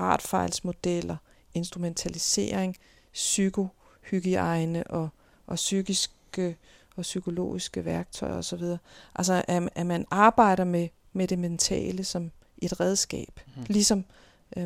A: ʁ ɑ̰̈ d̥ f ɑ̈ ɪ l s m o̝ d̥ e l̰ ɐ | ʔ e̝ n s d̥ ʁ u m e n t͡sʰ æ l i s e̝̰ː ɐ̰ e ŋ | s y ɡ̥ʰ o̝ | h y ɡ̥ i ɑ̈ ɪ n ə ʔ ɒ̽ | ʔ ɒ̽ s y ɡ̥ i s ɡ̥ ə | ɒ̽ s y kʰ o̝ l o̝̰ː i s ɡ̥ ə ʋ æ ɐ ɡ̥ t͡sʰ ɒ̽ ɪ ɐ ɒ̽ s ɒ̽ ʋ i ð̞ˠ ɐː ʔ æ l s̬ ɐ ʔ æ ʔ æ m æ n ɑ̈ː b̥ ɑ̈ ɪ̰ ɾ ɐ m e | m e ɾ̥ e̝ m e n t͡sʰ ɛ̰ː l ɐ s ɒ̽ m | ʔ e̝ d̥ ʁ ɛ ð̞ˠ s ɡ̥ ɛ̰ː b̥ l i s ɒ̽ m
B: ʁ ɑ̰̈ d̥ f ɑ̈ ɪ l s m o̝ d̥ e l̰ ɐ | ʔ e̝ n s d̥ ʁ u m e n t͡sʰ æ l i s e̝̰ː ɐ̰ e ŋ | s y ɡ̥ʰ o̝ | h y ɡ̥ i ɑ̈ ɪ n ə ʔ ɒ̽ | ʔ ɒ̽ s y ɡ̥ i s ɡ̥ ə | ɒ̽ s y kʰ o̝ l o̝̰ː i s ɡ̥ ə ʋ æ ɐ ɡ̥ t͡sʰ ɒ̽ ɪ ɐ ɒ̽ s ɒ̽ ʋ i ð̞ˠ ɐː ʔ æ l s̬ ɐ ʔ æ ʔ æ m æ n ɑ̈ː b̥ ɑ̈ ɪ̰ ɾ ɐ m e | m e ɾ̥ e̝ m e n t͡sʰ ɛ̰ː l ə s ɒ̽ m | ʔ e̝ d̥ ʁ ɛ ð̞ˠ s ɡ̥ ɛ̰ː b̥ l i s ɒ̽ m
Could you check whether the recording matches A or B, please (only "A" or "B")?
B